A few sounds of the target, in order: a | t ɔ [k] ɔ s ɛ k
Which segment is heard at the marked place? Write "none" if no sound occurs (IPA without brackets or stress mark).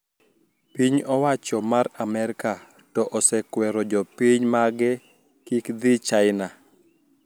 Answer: ʔ